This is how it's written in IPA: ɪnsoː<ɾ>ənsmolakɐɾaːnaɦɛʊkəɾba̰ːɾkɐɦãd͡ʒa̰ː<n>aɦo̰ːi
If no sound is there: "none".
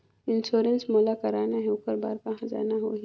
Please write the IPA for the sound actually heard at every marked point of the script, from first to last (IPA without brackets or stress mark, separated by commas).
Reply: ɾ, n